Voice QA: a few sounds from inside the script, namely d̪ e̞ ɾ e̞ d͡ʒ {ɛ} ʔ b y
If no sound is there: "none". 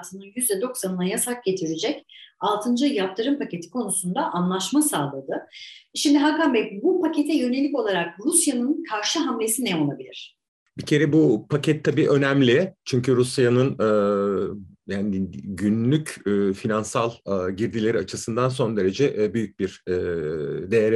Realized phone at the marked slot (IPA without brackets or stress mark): ɛ